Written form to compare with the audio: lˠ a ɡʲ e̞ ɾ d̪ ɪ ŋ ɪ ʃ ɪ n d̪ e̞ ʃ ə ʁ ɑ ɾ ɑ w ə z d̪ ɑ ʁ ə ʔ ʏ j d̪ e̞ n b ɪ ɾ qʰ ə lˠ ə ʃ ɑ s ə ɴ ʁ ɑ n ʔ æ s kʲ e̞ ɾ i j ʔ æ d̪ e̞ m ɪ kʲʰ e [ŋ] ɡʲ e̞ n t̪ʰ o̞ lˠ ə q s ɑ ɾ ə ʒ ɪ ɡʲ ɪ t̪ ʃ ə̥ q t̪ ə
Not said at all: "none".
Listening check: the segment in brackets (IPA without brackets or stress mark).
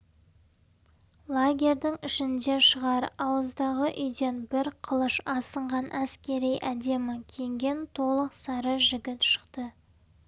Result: ŋ